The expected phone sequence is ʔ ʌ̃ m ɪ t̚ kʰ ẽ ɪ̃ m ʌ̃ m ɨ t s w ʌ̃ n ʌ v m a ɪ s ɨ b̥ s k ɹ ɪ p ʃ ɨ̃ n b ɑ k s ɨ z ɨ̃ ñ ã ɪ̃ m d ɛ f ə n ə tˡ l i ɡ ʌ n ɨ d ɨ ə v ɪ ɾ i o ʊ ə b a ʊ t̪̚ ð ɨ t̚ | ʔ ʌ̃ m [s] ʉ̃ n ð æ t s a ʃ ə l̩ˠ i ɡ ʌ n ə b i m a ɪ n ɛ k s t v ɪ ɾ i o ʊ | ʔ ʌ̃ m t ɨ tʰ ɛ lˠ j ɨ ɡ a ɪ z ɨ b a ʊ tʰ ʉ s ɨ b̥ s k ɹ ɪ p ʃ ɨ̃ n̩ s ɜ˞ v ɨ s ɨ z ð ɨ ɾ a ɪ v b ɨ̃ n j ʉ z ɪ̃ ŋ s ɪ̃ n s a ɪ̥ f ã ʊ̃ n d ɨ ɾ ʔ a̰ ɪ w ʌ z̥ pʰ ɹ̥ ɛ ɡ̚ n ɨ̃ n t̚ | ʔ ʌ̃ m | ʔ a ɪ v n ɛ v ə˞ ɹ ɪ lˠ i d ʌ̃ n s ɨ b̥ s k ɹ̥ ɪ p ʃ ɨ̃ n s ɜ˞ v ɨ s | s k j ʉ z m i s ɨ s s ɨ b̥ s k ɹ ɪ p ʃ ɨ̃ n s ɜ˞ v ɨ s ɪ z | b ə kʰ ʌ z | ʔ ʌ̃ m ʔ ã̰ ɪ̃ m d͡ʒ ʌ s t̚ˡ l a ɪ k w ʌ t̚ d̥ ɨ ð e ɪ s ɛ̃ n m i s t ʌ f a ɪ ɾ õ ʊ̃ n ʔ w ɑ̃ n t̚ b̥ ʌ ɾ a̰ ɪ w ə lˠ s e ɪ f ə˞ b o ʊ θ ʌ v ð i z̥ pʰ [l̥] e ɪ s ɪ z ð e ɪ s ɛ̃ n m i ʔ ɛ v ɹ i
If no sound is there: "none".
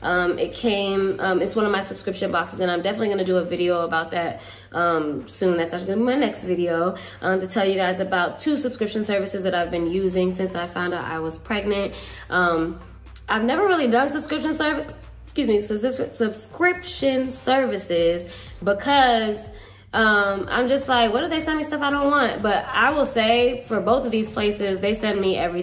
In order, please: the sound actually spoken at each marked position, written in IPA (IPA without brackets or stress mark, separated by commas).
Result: s, l̥